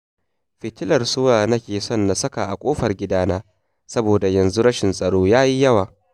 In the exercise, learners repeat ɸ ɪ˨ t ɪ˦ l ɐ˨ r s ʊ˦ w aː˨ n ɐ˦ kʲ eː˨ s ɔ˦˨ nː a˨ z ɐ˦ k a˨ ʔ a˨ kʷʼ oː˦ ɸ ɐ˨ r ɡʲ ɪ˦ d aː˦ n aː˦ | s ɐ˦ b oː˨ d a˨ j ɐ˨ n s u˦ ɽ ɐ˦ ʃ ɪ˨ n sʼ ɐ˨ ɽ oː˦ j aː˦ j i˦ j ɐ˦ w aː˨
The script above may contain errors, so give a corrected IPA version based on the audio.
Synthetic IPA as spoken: ɸ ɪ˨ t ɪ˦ l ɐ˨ r s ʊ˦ w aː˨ n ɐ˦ kʲ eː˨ s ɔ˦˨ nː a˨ s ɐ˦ k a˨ ʔ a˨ kʷʼ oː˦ ɸ ɐ˨ r ɡʲ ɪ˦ d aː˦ n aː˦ | s ɐ˦ b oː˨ d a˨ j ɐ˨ n z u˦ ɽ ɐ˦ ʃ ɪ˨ n sʼ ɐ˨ ɽ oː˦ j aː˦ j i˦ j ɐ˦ w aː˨